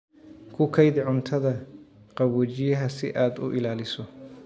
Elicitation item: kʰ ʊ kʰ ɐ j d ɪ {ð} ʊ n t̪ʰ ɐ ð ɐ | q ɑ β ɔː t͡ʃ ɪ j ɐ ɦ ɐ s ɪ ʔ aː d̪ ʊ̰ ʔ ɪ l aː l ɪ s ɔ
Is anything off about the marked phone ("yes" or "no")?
yes